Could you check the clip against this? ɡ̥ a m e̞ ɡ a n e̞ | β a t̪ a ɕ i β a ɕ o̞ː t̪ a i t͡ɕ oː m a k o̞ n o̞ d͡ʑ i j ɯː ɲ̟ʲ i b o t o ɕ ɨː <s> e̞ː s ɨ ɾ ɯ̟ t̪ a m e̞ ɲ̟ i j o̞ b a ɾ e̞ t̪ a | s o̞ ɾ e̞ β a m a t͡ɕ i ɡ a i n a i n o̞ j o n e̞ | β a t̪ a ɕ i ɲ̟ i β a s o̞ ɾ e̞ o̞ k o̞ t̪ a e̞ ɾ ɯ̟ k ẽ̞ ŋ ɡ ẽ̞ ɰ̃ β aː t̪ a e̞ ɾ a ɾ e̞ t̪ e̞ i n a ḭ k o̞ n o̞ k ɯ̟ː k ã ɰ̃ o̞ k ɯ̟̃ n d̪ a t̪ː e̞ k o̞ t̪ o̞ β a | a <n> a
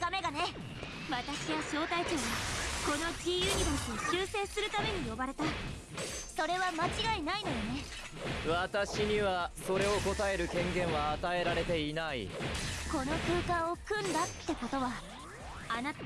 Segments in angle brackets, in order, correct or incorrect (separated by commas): correct, correct